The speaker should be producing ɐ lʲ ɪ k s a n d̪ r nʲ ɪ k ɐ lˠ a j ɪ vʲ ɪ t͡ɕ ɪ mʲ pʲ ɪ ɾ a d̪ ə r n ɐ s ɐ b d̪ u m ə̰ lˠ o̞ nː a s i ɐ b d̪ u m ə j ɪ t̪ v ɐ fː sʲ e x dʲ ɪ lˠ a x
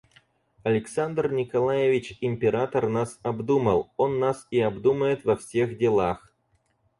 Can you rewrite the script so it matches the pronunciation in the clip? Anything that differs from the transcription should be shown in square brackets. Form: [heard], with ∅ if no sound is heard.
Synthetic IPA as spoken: ɐ lʲ ɪ k s a n d̪ r nʲ ɪ k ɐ lˠ a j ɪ vʲ ɪ t͡ɕ ɪ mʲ pʲ ɪ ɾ a [t̪] ə r n [a] s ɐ b d̪ u m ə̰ lˠ o̞ nː a s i ɐ b d̪ u m ə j ɪ t̪ v ɐ [f] sʲ e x dʲ ɪ lˠ a x